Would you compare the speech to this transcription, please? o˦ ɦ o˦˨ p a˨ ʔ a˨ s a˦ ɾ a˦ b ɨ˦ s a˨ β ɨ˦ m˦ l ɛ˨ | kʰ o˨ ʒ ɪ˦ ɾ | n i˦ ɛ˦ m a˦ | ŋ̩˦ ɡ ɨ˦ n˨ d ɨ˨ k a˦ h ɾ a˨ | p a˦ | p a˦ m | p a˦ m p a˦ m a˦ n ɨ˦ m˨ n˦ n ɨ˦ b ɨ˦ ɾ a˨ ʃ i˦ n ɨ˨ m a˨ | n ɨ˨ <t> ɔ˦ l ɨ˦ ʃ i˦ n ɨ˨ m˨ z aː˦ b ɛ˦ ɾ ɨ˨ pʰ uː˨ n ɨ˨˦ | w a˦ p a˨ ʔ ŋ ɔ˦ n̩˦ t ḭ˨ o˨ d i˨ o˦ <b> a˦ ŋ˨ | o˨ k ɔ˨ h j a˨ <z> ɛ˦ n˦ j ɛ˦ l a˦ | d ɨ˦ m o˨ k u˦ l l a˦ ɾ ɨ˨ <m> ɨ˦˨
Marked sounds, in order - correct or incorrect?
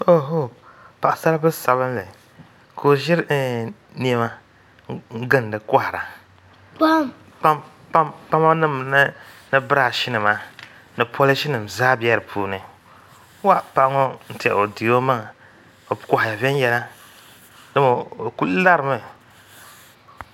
incorrect: p, incorrect: m, incorrect: v, correct

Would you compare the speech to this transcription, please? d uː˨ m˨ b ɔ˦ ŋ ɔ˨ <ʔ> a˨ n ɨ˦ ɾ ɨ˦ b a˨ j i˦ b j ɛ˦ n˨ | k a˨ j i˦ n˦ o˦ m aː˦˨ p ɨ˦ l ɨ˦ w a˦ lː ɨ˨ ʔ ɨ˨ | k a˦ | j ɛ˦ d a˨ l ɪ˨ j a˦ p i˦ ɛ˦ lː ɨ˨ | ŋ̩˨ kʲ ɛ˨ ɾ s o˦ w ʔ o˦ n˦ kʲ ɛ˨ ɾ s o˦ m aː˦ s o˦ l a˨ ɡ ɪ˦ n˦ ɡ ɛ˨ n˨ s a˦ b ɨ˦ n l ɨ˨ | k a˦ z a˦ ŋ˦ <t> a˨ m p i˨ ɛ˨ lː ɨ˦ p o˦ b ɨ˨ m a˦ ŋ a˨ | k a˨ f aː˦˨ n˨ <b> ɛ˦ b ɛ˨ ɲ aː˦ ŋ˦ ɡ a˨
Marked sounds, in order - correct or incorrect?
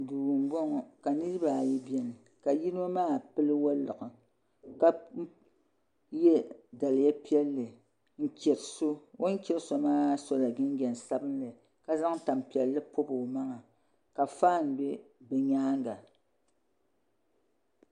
incorrect: k, correct, correct

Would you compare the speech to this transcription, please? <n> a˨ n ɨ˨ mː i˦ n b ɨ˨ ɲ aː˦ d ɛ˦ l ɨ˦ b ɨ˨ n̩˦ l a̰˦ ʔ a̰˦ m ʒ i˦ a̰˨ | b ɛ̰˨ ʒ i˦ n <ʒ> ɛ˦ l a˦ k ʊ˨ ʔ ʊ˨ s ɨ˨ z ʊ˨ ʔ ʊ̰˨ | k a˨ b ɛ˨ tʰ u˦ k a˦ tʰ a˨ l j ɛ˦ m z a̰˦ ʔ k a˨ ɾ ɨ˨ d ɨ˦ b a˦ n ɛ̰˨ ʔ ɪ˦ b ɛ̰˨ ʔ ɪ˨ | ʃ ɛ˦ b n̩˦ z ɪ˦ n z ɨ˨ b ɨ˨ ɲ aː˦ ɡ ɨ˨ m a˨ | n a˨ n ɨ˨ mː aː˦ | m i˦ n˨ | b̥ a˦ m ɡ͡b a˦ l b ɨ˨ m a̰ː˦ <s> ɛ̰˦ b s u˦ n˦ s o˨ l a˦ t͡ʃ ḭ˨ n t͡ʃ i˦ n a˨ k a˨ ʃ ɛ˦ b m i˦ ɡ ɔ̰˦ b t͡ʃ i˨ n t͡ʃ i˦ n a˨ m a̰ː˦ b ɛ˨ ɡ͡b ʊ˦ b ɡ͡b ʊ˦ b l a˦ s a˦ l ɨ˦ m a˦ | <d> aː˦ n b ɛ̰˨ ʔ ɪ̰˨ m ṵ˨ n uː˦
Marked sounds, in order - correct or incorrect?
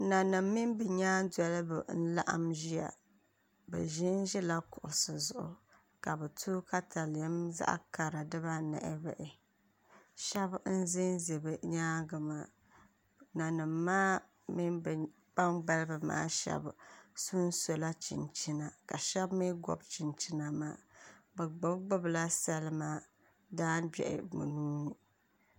correct, correct, incorrect: ʃ, correct

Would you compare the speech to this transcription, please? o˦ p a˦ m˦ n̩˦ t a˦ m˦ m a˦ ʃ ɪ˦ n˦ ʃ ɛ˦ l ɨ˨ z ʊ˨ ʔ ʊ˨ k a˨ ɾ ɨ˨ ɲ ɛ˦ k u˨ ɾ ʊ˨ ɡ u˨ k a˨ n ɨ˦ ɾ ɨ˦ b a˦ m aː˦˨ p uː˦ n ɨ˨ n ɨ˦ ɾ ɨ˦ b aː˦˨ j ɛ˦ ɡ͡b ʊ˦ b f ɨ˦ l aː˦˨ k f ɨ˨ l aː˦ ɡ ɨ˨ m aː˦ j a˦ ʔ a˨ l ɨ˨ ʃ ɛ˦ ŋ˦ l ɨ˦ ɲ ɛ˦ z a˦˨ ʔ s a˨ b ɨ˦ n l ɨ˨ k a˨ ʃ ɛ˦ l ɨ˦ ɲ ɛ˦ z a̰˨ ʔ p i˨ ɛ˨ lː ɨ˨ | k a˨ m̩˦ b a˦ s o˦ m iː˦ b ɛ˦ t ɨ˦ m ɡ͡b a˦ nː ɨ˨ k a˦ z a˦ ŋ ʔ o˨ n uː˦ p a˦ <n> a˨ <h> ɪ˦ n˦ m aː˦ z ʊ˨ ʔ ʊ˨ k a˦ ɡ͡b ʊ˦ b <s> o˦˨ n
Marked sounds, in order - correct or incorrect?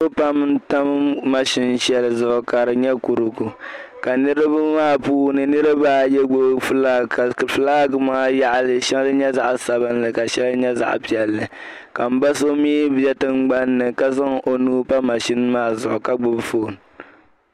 incorrect: m, incorrect: ʃ, incorrect: f

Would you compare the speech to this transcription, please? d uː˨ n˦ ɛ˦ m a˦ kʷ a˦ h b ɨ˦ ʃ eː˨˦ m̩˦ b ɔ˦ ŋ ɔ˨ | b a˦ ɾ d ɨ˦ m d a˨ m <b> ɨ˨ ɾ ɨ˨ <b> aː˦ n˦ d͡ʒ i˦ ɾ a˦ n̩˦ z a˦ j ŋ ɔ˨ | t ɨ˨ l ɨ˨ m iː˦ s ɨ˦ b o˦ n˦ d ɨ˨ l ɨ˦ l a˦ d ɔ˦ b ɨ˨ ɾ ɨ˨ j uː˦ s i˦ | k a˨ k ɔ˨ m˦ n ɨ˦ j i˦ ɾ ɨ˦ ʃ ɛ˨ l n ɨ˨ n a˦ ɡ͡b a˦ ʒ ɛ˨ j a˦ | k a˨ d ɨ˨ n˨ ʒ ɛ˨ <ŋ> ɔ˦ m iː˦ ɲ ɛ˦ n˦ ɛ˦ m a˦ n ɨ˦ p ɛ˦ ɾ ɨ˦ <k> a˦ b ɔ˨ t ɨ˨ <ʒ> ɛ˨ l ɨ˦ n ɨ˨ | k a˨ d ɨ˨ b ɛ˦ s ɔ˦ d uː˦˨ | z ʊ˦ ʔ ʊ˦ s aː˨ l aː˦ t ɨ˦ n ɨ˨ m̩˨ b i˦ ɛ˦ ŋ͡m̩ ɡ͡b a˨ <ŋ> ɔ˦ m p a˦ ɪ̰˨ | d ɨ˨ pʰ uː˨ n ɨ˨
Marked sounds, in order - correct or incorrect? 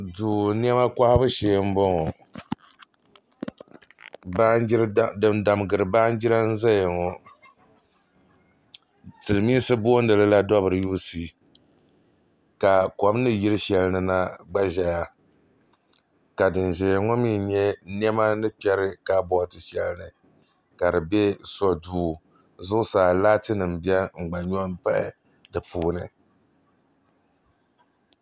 incorrect: ɡ, correct, correct, correct, incorrect: ʃ, incorrect: ɲ

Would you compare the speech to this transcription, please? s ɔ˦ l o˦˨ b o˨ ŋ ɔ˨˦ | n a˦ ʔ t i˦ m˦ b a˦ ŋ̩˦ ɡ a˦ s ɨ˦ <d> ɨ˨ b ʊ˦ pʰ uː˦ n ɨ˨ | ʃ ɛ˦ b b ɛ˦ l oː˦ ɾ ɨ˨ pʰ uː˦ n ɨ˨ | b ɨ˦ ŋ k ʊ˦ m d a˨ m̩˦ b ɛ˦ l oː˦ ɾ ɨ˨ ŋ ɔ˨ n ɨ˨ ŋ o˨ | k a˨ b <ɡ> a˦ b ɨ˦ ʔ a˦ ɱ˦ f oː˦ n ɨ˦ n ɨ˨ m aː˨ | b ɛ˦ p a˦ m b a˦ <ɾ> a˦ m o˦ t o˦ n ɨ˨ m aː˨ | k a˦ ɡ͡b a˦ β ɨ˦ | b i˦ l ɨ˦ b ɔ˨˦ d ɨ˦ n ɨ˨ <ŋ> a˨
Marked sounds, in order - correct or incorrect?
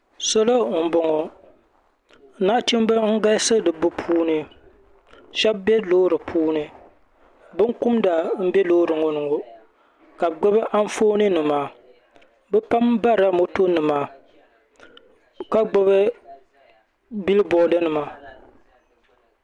correct, incorrect: ɡ͡b, correct, incorrect: m

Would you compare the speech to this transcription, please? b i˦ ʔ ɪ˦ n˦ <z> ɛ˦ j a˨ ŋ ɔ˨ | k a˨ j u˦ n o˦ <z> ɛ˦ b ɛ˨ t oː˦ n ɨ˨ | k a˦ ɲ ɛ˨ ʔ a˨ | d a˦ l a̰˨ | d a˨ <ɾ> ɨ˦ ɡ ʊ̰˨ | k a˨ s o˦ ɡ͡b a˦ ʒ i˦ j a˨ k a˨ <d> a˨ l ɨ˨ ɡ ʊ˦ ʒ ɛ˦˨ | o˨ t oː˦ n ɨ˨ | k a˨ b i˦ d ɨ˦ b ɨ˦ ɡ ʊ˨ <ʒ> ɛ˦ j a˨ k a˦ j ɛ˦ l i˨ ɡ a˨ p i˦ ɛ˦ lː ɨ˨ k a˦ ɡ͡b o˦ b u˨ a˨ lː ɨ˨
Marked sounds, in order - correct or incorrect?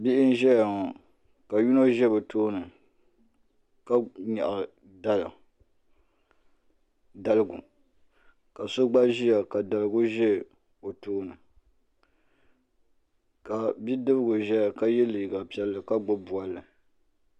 incorrect: ʒ, incorrect: ʒ, incorrect: l, correct, correct

